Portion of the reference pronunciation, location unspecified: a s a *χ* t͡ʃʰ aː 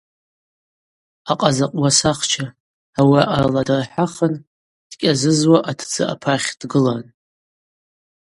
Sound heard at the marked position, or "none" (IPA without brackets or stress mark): χ